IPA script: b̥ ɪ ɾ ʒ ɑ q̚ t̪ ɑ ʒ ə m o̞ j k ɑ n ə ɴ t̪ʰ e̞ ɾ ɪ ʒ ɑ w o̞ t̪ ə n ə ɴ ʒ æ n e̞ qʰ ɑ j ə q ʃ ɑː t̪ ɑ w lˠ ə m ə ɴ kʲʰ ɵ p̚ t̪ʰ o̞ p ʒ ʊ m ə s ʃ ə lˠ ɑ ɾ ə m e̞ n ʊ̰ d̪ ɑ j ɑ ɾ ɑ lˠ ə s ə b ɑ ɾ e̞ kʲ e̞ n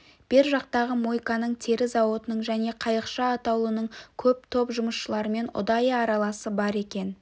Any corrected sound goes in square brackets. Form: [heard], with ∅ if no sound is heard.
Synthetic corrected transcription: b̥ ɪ ɾ ʒ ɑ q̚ t̪ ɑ [ʁ] ə m o̞ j k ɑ n ə ɴ t̪ʰ e̞ ɾ ɪ [z] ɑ w o̞ t̪ ə n ə ɴ ʒ æ n e̞ qʰ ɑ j ə q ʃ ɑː t̪ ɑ w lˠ ə [n] ə ɴ kʲʰ ɵ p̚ t̪ʰ o̞ p ʒ ʊ m ə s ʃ ə lˠ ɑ ɾ ə m e̞ n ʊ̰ d̪ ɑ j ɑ ɾ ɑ lˠ [ɑ] s ə b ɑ ɾ e̞ kʲ e̞ n